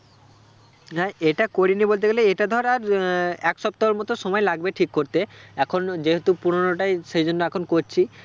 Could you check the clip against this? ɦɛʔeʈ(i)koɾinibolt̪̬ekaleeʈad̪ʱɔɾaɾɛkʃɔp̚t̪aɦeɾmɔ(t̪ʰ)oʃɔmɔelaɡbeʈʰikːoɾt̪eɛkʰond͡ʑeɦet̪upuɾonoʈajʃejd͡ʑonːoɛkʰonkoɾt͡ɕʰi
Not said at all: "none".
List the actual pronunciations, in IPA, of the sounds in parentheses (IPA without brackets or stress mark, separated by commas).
a, t̪